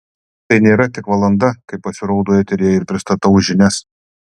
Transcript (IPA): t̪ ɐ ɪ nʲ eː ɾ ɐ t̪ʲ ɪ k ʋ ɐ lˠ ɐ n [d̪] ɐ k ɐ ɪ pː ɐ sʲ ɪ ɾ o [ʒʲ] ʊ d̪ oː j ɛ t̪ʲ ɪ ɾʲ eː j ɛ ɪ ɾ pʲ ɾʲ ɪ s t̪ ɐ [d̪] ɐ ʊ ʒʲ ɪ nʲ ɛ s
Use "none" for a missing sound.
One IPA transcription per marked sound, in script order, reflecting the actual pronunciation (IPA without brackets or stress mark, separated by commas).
d̪, none, t̪